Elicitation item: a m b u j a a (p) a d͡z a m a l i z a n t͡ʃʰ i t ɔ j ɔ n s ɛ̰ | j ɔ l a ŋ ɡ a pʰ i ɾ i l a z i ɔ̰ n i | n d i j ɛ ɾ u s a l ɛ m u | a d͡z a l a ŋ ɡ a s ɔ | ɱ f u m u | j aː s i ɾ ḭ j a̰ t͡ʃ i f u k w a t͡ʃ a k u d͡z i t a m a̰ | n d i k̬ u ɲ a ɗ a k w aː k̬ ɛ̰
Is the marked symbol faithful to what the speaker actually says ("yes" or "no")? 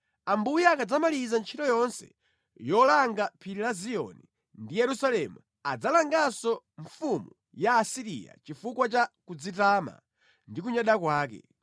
no